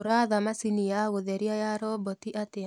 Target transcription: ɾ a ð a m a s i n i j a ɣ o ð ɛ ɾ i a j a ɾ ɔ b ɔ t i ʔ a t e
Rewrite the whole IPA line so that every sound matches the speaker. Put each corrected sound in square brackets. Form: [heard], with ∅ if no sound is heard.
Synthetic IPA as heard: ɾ a ð a m a s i n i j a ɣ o ð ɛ ɾ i a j a ɾ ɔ b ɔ t i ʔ a t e